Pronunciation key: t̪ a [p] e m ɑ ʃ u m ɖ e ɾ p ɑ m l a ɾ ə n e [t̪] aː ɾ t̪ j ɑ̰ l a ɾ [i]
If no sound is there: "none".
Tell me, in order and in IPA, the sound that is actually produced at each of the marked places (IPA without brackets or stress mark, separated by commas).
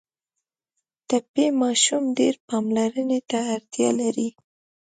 p, t̪, i